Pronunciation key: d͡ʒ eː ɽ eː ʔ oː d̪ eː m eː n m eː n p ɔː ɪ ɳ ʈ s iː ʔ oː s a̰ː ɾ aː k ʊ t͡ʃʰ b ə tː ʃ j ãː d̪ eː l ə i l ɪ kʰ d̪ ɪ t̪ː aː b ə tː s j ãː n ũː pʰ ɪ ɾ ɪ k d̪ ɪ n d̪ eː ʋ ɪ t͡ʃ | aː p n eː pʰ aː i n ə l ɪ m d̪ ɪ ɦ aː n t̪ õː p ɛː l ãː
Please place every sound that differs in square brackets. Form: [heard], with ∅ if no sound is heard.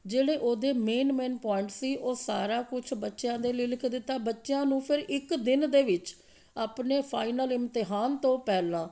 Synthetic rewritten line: d͡ʒ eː ɽ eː ʔ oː d̪ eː m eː n m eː n p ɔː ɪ ɳ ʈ s iː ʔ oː s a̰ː ɾ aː k ʊ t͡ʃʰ b ə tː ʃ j ãː d̪ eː l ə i l ɪ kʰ d̪ ɪ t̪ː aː b ə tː [ʃ] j ãː n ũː pʰ ɪ ɾ ɪ k d̪ ɪ n d̪ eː ʋ ɪ t͡ʃ | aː p n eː pʰ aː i n ə l ɪ m [t̪] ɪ ɦ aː n t̪ õː p ɛː l ãː